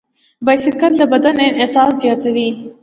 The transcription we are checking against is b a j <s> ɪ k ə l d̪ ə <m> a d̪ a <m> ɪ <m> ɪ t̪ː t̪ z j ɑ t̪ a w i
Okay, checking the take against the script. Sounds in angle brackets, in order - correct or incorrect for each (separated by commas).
correct, incorrect, incorrect, incorrect